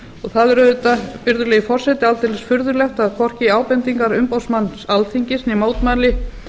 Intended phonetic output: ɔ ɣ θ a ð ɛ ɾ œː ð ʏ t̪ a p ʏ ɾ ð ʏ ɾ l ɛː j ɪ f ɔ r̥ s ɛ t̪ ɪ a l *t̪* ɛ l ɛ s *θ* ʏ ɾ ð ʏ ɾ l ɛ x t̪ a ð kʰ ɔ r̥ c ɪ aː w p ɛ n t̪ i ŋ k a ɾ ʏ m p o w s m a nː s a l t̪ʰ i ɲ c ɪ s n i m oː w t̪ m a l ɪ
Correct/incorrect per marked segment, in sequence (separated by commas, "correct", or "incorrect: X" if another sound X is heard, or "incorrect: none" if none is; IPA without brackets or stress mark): correct, incorrect: f